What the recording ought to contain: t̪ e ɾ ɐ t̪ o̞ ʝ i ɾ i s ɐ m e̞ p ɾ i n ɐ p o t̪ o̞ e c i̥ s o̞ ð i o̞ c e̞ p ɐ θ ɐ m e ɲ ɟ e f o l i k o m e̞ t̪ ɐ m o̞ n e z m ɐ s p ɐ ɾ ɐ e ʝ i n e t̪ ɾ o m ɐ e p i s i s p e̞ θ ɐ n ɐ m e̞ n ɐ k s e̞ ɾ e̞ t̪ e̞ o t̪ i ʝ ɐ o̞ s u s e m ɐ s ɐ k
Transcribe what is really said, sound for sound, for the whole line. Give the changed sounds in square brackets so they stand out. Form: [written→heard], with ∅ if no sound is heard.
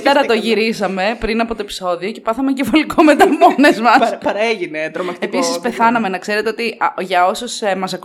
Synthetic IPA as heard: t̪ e ɾ ɐ t̪ o̞ ʝ i ɾ i s ɐ m e̞ p ɾ i n ɐ p o t̪ o̞ e [c→p] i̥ s o̞ ð i o̞ c e̞ p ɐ θ ɐ m e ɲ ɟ e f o l i k o m e̞ t̪ ɐ m o̞ n e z m ɐ s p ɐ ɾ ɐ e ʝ i n e t̪ ɾ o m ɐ e p i s i s p e̞ θ ɐ n ɐ m e̞ n ɐ k s e̞ ɾ e̞ t̪ e̞ o t̪ i ʝ ɐ o̞ s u s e m ɐ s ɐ k